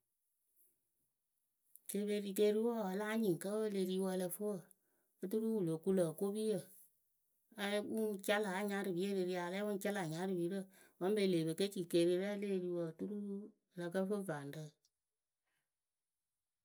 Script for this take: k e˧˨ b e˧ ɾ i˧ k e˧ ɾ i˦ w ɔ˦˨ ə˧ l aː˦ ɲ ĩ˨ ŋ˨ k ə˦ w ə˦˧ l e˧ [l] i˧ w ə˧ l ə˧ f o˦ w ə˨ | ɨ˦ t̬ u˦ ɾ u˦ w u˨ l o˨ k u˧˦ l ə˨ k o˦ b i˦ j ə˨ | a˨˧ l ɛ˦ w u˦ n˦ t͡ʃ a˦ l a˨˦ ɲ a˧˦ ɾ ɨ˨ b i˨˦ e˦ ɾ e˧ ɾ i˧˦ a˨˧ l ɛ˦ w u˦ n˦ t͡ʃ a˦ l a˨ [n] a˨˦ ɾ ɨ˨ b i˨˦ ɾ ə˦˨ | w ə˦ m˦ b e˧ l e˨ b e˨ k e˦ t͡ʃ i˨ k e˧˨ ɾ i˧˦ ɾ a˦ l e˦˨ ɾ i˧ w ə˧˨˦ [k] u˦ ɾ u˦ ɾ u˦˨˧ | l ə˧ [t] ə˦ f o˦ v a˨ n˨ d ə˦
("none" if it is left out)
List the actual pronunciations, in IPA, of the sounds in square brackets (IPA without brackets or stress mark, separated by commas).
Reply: ɾ, ɲ, t, k